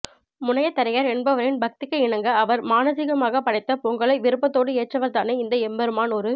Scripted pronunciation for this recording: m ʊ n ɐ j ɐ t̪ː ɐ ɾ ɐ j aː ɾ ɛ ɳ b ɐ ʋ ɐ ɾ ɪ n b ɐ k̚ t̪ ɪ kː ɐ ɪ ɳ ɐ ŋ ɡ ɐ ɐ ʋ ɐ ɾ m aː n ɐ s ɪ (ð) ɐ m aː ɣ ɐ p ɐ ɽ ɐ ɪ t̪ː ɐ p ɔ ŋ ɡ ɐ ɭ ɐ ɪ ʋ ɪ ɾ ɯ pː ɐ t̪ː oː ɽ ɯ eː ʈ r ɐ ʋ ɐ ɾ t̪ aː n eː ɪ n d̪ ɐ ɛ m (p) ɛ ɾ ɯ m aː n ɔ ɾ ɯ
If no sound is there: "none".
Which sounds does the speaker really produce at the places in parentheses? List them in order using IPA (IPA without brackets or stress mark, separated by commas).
ɣ, b